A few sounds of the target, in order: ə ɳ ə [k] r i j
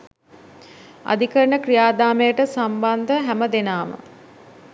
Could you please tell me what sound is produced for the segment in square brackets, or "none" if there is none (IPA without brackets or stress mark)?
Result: k